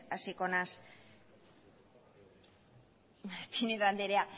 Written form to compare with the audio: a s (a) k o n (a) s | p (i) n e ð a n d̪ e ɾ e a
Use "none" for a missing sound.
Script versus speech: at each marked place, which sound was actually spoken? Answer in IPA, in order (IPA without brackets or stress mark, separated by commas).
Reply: i, a, i